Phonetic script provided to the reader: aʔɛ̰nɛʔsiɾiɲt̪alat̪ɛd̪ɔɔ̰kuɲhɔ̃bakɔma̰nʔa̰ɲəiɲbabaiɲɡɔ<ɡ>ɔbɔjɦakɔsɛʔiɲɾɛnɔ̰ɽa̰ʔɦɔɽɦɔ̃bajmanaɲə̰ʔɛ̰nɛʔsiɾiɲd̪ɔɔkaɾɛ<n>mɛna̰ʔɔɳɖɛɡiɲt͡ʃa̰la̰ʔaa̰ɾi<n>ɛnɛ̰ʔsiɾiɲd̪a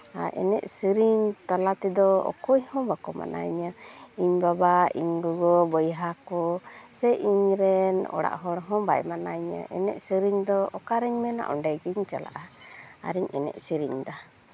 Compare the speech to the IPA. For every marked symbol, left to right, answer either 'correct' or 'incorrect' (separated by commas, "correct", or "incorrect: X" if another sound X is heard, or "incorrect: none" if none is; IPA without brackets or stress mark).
correct, incorrect: ɲ, incorrect: ɲ